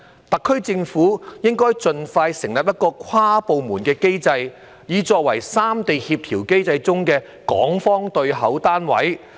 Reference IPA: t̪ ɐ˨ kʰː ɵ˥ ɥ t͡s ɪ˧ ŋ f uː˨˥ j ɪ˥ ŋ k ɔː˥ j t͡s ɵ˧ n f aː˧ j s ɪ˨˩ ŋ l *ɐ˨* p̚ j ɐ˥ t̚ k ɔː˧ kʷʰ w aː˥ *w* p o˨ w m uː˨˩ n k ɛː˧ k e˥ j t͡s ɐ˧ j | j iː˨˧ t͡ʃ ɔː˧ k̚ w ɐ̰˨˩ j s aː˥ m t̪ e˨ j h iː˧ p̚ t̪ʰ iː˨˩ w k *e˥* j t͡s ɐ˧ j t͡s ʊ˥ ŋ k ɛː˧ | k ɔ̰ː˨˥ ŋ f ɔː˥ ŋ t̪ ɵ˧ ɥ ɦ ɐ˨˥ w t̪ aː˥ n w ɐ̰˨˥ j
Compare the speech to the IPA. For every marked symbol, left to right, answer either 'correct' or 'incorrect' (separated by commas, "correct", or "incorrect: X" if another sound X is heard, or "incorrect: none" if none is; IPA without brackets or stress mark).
correct, incorrect: none, correct